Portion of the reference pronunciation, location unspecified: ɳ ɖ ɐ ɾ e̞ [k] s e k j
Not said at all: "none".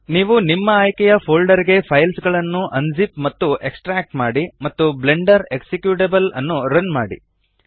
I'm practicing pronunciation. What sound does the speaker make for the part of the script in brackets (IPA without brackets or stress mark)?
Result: k